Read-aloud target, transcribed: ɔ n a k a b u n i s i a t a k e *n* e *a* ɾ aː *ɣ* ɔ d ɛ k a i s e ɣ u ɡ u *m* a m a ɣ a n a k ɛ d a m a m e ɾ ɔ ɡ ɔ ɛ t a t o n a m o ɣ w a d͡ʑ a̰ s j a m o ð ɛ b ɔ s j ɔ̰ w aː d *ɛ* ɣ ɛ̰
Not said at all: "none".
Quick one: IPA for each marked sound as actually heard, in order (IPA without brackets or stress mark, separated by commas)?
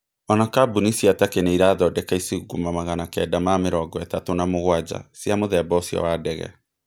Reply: n, i, ð, m, ɛ